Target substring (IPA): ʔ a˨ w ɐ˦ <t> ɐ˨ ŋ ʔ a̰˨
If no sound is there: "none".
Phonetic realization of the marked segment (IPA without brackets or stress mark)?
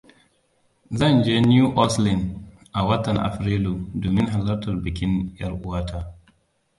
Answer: t